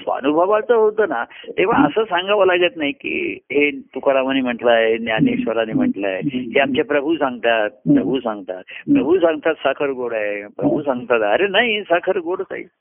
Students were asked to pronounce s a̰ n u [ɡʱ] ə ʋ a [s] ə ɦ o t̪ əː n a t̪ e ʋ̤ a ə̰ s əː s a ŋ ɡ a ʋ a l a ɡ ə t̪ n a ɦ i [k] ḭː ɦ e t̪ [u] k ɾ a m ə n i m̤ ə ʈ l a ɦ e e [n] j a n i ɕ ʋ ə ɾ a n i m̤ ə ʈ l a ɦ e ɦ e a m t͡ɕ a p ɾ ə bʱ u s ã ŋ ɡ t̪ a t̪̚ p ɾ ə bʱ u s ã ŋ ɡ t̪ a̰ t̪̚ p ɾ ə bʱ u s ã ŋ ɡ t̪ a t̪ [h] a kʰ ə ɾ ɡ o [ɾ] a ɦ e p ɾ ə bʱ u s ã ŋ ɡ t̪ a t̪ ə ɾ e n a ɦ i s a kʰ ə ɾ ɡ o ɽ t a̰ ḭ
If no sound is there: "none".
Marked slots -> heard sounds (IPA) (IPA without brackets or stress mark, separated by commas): bʱ, t͡s, k, u, n, s, ɽ